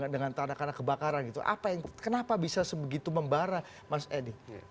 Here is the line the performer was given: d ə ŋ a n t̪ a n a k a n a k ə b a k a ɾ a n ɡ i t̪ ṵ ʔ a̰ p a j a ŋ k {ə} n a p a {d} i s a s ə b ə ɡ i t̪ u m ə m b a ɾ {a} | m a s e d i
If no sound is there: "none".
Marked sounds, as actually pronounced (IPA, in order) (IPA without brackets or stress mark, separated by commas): ə, b, a